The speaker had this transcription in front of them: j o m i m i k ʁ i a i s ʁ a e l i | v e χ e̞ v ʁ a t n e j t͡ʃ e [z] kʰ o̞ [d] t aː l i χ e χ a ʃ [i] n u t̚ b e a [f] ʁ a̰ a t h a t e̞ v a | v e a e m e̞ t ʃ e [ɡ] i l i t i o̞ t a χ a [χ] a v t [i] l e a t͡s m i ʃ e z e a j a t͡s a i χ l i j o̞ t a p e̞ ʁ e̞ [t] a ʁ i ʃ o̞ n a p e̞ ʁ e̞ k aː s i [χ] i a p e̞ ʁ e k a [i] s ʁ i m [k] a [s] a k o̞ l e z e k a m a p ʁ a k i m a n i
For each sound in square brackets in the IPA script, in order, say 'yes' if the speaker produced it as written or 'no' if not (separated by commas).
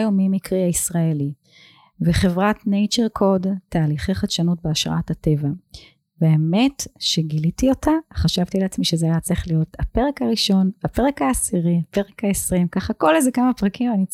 no, yes, no, no, yes, no, yes, no, no, no, yes, no